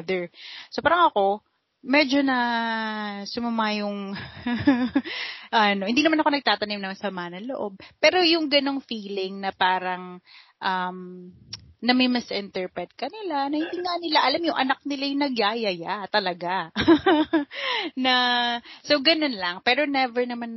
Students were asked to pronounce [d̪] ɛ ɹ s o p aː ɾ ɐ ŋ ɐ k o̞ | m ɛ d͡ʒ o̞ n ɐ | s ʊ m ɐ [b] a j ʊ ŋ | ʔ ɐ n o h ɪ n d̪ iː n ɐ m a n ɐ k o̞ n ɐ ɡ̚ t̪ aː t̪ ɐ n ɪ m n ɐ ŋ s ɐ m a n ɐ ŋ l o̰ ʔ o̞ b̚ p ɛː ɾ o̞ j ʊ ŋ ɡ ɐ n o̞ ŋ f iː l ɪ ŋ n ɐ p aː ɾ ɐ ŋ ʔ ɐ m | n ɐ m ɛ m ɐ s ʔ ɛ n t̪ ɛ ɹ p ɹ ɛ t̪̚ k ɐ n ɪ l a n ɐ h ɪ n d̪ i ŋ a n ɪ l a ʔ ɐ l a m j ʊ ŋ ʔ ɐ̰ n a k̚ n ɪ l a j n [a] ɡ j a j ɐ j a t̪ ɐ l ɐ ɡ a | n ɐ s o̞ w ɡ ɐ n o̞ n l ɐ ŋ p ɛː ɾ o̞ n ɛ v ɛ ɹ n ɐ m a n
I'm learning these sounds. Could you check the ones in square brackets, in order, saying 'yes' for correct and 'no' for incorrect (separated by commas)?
yes, no, no